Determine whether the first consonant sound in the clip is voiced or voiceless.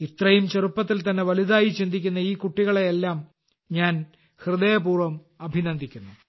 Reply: voiceless